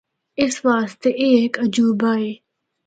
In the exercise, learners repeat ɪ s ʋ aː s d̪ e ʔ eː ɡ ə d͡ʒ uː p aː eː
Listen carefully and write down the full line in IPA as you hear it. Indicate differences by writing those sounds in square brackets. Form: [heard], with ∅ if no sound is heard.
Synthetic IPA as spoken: ɪ s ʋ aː s [t̪] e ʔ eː [k] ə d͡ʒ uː [b] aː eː